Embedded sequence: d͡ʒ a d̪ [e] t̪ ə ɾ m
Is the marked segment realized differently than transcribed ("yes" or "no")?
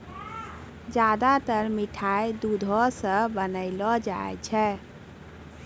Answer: yes